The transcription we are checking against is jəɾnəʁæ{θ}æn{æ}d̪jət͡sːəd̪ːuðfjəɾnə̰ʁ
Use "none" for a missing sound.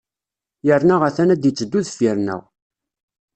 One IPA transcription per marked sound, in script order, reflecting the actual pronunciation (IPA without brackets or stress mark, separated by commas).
θ, æ